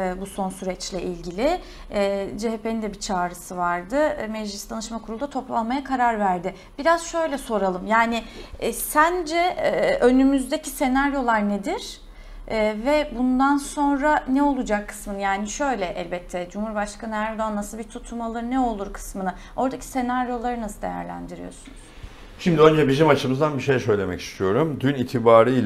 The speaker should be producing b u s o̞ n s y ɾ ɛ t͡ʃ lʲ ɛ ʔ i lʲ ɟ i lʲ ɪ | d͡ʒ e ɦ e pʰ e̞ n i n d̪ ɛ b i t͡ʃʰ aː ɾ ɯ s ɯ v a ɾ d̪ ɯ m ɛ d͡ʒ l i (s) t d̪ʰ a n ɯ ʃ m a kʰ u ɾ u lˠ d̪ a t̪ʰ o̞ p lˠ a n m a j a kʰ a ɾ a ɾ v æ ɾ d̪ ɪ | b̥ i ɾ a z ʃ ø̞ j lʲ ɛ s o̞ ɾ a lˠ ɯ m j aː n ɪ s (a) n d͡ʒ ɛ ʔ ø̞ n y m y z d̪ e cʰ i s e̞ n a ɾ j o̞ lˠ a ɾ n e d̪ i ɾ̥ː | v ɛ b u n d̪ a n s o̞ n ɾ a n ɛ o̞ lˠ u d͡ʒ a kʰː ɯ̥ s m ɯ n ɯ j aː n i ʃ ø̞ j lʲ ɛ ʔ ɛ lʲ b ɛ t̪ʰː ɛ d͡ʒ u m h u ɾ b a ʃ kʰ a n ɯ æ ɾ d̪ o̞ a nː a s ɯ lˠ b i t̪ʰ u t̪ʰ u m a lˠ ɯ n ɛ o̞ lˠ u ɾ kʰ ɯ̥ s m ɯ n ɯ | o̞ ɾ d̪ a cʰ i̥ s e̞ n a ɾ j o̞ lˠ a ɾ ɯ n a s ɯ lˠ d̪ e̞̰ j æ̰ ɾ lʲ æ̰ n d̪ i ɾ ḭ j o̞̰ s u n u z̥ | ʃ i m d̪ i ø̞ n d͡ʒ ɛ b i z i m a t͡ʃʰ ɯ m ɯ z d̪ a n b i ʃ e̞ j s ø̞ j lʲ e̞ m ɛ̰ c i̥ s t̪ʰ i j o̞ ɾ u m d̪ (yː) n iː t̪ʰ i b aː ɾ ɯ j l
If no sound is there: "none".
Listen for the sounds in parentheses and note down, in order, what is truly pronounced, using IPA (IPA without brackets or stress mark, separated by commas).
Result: s, æ, y